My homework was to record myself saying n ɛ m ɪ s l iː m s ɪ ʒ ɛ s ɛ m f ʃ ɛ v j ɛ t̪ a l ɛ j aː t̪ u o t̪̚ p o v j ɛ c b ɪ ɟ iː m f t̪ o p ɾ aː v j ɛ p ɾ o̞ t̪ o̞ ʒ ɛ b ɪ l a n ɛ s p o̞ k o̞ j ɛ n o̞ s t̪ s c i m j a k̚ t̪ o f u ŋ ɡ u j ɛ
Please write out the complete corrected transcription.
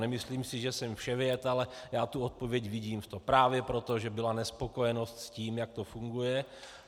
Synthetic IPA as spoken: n ɛ m ɪ s l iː m s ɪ ʒ ɛ s ɛ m f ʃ ɛ v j ɛ t̪ a l ɛ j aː t̪ u o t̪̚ p o v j ɛ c v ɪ ɟ iː m f t̪ o p ɾ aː v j ɛ p ɾ o̞ t̪ o̞ ʒ ɛ b ɪ l a n ɛ s p o̞ k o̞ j ɛ n o̞ s t̪ s c iː m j a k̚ t̪ o f u ŋ ɡ u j ɛ